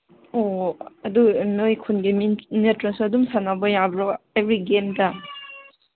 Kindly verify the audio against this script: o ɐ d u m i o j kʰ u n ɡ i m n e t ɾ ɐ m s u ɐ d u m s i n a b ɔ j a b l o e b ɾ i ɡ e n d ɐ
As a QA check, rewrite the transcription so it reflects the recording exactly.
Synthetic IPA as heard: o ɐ d u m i o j kʰ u n ɡ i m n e t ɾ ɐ s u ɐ d u m s a n a b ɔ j a b ɾ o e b ɾ i ɡ e m d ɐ